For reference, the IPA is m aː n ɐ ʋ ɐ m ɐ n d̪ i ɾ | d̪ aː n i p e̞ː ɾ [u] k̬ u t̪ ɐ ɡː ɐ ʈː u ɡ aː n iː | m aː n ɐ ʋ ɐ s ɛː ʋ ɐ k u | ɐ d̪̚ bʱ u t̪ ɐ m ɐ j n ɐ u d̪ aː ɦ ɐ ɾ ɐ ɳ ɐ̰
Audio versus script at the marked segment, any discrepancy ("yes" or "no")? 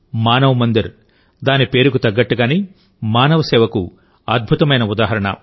no